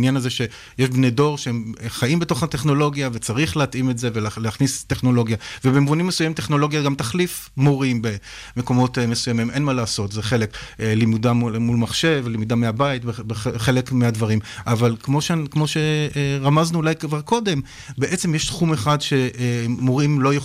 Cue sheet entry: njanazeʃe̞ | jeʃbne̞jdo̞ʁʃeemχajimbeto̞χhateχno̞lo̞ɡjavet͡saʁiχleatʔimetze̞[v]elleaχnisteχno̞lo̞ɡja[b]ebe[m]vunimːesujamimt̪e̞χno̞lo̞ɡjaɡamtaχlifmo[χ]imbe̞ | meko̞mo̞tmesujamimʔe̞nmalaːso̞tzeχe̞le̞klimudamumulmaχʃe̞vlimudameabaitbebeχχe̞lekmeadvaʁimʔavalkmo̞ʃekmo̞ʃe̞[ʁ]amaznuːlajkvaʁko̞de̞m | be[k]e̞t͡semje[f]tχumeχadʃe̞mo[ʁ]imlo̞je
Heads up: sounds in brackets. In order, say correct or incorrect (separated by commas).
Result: correct, incorrect, correct, incorrect, correct, incorrect, incorrect, correct